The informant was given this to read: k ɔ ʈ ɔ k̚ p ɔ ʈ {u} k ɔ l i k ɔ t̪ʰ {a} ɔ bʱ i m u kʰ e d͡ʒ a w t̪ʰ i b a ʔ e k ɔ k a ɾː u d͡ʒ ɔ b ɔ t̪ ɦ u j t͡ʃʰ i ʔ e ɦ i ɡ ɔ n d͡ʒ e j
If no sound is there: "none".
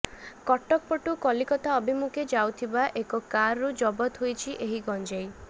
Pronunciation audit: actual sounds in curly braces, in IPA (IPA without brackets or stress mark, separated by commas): u, a